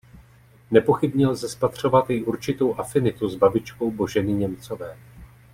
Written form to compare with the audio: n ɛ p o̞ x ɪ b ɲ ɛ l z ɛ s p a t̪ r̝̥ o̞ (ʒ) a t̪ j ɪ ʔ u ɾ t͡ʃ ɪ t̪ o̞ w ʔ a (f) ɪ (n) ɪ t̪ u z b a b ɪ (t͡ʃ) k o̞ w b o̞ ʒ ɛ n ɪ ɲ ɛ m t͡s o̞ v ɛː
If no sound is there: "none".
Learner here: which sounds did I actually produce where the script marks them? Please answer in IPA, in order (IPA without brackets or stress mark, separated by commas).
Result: v, f, n, t͡ʃ